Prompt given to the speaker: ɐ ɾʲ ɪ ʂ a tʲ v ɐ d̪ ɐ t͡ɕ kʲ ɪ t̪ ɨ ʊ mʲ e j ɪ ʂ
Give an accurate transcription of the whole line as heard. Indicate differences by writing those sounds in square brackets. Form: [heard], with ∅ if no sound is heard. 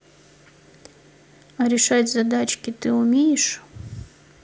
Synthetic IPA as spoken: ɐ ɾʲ ɪ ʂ a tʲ [z] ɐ d̪ [a] t͡ɕ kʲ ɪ t̪ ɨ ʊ mʲ e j ɪ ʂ